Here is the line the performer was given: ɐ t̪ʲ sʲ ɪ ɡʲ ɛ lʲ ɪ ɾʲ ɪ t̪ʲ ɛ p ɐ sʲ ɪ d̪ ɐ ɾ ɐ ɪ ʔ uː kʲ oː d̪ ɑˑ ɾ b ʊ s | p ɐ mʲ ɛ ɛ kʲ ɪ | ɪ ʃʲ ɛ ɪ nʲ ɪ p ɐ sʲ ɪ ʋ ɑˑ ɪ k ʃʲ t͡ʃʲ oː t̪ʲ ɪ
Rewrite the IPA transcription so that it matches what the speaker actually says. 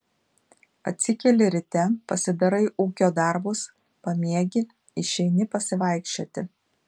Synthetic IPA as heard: ɐ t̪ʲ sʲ ɪ kʲ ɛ lʲ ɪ ɾʲ ɪ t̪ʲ ɛ p ɐ sʲ ɪ d̪ ɐ ɾ ɐ ɪ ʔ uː kʲ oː d̪ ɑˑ ɾ b ʊ s | p ɐ mʲ i ɛ ɡʲ ɪ | ɪ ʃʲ ɛ ɪ nʲ ɪ p ɐ sʲ ɪ ʋ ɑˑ ɪ k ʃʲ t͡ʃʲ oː t̪ʲ ɪ

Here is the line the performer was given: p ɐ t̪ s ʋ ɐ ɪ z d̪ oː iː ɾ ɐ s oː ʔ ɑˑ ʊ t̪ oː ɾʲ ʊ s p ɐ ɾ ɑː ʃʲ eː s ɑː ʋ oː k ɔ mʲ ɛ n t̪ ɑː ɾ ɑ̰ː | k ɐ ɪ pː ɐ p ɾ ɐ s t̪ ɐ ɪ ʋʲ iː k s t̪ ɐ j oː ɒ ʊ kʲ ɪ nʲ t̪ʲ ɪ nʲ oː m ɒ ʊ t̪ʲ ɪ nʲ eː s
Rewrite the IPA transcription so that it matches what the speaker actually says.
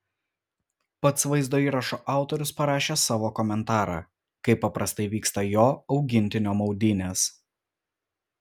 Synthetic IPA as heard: p ɐ t̪ s ʋ ɐ ɪ z d̪ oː iː ɾ ɐ ʃ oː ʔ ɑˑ ʊ t̪ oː ɾʲ ʊ s p ɐ ɾ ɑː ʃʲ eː s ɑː ʋ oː k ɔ mʲ ɛ n t̪ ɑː ɾ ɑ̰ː | k ɐ ɪ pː ɐ p ɾ ɐ s t̪ ɐ ɪ ʋʲ iː k s t̪ ɐ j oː ɒ ʊ ɡʲ ɪ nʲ t̪ʲ ɪ nʲ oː m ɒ ʊ d̪ʲ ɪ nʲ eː s

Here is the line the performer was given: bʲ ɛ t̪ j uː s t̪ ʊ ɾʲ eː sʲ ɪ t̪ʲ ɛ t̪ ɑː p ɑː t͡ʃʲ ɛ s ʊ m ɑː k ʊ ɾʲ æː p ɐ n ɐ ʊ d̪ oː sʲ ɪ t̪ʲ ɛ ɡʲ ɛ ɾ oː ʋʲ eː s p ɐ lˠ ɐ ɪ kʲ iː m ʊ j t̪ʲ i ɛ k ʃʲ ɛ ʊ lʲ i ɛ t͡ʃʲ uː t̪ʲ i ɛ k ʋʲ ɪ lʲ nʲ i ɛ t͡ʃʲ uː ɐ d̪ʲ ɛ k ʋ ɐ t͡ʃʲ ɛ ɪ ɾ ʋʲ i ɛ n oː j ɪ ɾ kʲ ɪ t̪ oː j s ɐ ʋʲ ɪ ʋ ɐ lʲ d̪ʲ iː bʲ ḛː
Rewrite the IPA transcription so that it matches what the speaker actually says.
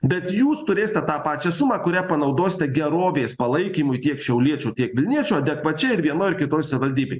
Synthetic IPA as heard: bʲ ɛ t̪ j uː s t̪ ʊ ɾʲ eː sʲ ɪ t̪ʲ ɛ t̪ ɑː p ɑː t͡ʃʲ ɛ s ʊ m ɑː k ʊ ɾʲ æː p ɐ n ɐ ʊ d̪ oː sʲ ɪ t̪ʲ ɛ ɡʲ ɛ ɾ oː ʋʲ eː s p ɐ lˠ ɐ ɪ kʲ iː m ʊ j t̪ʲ i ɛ k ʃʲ ɛ ʊ lʲ i ɛ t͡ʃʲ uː t̪ʲ i ɛ k ʋʲ ɪ lʲ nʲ i ɛ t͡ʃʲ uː ɐ d̪ʲ ɛ k ʋ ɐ t͡ʃʲ ɛ ɪ ɾ ʋʲ i ɛ n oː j ɪ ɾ kʲ ɪ t̪ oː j s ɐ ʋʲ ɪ ʋ ɐ lʲ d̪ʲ iː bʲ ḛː

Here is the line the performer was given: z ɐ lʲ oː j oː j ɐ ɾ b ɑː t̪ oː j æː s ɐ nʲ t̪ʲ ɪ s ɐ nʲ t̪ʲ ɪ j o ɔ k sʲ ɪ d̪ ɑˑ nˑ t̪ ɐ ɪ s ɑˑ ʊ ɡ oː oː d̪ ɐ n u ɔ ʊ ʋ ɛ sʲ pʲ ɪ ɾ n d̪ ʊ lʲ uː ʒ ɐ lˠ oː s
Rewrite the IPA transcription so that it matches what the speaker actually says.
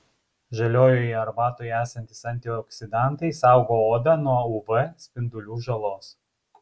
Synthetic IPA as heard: ʒ ɐ lʲ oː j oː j ɐ ɾ b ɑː t̪ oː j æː s ɐ nʲ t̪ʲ ɪ s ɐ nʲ t̪ʲ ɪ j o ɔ k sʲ ɪ d̪ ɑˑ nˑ t̪ ɐ ɪ s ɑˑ ʊ ɡ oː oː d̪ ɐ n u ɔ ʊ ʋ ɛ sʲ pʲ ɪ n d̪ ʊ lʲ uː ʒ ɐ lˠ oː s

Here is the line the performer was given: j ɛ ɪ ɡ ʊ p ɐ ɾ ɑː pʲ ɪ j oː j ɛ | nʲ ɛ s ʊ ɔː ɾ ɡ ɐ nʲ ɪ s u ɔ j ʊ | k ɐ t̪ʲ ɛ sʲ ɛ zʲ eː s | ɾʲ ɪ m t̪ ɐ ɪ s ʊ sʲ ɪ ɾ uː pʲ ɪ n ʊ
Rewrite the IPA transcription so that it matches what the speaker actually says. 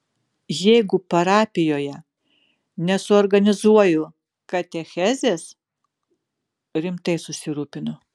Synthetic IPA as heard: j ɛ ɪ ɡ ʊ p ɐ ɾ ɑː pʲ ɪ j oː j ɛ | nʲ ɛ s ʊ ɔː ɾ ɡ ɐ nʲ ɪ z u ɔ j ʊ | k ɐ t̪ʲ ɛ xʲ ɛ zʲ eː s | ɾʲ ɪ m t̪ ɐ ɪ s ʊ sʲ ɪ ɾ uː pʲ ɪ n ʊ

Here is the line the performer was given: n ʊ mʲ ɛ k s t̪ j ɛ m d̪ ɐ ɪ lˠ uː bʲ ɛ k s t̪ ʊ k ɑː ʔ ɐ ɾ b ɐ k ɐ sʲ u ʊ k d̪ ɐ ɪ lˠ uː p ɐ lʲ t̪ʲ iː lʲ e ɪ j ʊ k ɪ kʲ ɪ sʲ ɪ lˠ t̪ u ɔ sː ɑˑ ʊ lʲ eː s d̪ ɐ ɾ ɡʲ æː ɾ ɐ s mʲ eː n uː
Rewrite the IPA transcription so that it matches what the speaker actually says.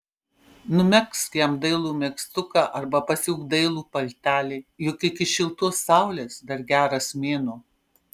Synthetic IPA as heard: n ʊ mʲ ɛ k s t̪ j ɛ m d̪ ɐ ɪ lˠ uː mʲ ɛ k s t̪ ʊ k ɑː ʔ ɐ ɾ b ɐ p ɐ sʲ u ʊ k d̪ ɐ ɪ lˠ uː p ɐ lʲ t̪ʲ æː lʲ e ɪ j ʊ k ɪ kʲ ɪ ʃʲ ɪ lˠ t̪ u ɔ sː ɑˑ ʊ lʲ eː s d̪ ɐ ɾ ɡʲ æː ɾ ɐ s mʲ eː n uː

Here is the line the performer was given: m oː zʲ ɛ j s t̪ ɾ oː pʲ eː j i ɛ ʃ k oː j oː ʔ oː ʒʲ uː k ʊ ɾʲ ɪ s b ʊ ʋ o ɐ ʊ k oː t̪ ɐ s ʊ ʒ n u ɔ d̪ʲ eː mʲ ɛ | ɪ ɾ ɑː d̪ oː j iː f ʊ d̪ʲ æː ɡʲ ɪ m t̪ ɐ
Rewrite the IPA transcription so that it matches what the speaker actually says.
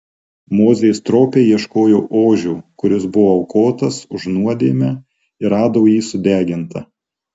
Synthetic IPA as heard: m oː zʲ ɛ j s t̪ ɾ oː pʲ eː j i ɛ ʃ k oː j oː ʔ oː ʒʲ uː k ʊ ɾʲ ɪ s b ʊ ʋ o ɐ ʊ k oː t̪ ɐ s ʊ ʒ n u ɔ d̪ʲ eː mʲ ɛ | ɪ ɾ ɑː d̪ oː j iː s ʊ d̪ʲ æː ɡʲ ɪ n t̪ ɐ

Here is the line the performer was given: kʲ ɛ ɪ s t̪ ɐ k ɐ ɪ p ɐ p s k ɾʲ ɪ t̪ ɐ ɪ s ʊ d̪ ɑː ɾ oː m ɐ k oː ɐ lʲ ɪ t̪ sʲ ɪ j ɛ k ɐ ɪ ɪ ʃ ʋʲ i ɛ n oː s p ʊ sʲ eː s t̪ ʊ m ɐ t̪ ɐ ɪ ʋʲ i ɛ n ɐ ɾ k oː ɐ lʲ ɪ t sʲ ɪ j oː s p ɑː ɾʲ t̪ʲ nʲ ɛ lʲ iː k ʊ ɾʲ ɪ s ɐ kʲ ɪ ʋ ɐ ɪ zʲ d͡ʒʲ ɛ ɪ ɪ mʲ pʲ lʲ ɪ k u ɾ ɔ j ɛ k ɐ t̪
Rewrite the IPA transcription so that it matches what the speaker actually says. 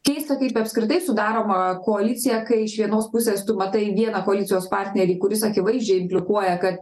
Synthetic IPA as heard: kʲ ɛ ɪ s t̪ ɐ k ɐ ɪ p ɐ p s k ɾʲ ɪ t̪ ɐ ɪ s ʊ d̪ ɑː ɾ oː m ɐ k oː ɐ lʲ ɪ t̪ sʲ ɪ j ɛ k ɐ ɪ ɪ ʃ ʋʲ i ɛ n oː s p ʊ sʲ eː s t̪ ʊ m ɐ t̪ ɐ ɪ ʋʲ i ɛ n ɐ k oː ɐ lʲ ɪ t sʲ ɪ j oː s p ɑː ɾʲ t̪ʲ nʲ ɛ ɾʲ iː k ʊ ɾʲ ɪ s ɐ kʲ ɪ ʋ ɐ ɪ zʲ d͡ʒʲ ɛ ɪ ɪ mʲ pʲ lʲ ɪ k u ɔ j ɛ k ɐ t̪

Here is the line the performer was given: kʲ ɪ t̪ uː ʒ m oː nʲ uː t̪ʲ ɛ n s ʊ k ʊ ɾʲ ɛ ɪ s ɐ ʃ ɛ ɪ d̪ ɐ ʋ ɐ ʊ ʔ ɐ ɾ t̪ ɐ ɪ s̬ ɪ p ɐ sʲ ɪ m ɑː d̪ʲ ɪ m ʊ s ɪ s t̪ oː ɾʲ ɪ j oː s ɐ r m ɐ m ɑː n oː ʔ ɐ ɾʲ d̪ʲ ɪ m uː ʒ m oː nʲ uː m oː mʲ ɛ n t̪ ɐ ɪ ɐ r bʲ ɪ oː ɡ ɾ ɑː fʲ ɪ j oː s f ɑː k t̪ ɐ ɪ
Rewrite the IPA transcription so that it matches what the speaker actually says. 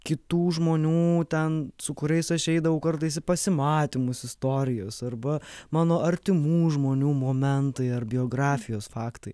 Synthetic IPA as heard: kʲ ɪ t̪ uː ʒ m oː nʲ uː t̪ʲ ɛ n s ʊ k ʊ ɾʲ ɛ ɪ s ɐ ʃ ɛ ɪ d̪ ɐ ʋ ɐ ʊ k ɐ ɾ t̪ ɐ ɪ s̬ ɪ p ɐ sʲ ɪ m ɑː t̪ʲ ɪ m ʊ s ɪ s t̪ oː ɾʲ ɪ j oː s ɐ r b ɐ m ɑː n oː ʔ ɐ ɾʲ t̪ʲ ɪ m uː ʒ m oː nʲ uː m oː mʲ ɛ n t̪ ɐ ɪ ɐ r bʲ ɪ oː ɡ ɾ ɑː fʲ ɪ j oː s f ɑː k t̪ ɐ ɪ

